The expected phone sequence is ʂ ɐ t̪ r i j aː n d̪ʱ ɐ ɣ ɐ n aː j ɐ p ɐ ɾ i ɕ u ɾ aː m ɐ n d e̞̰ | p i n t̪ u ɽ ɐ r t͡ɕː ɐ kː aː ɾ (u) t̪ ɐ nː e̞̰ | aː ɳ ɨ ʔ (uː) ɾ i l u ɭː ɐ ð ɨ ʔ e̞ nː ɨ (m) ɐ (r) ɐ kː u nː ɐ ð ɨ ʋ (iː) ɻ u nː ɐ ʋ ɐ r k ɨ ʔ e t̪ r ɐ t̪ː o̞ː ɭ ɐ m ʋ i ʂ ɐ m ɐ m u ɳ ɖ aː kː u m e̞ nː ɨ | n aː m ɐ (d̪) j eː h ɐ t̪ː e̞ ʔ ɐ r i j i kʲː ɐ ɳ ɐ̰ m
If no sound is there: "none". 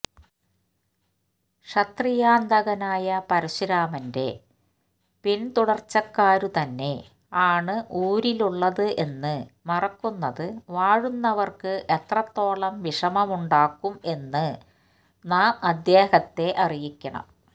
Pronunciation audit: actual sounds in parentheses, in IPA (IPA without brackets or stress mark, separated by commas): u, uː, m, r, aː, d̪